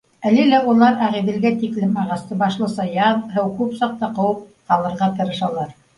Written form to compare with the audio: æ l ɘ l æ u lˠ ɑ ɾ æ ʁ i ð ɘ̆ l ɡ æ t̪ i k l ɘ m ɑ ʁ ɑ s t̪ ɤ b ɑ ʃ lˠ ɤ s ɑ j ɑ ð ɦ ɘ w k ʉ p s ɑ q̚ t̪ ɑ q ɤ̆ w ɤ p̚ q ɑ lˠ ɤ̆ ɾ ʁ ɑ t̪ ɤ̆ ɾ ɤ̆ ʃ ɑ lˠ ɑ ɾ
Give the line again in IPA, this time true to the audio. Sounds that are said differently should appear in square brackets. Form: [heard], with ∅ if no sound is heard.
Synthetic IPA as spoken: æ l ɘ l æ u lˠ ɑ ɾ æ ʁ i ð ɘ̆ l ɡ æ t̪ i k l ɘ m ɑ ʁ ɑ s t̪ ɤ b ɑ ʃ lˠ ɤ s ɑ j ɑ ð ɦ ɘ w k ʉ p s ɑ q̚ t̪ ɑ q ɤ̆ w ɤ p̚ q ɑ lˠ ɤ̆ ɾ ʁ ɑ t̪ ɤ̆ ɾ ɤ̆ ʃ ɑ lˠ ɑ ɾ